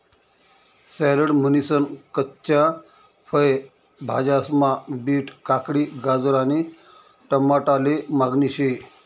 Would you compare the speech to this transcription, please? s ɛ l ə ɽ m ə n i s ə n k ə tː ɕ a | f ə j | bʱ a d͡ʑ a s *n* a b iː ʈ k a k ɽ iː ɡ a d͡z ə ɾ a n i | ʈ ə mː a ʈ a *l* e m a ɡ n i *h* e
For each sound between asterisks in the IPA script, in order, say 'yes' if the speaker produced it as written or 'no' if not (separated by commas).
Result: no, yes, no